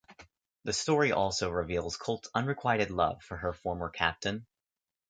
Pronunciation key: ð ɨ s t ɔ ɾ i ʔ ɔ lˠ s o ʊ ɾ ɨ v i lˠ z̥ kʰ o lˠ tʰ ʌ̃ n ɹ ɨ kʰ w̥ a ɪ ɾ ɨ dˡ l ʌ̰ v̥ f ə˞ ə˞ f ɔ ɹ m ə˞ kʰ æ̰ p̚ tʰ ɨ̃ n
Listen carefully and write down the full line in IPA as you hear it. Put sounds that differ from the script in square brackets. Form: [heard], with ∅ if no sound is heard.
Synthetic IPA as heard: ð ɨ s t ɔ [ɹ] i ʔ ɔ lˠ s o ʊ [ɹ] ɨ v i lˠ z̥ kʰ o lˠ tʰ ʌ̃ n ɹ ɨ kʰ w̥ a ɪ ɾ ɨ dˡ l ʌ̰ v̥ f ə˞ ə˞ f ɔ ɹ m ə˞ kʰ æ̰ p̚ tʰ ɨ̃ n